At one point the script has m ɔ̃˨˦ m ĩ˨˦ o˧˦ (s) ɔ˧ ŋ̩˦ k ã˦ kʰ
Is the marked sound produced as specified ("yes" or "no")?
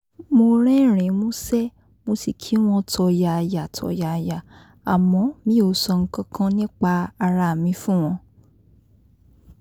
yes